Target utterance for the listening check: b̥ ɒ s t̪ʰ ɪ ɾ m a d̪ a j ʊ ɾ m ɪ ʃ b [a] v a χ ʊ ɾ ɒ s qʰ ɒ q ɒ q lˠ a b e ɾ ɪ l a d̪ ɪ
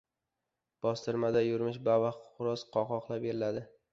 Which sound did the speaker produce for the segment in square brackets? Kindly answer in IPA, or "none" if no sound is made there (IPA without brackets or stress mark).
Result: a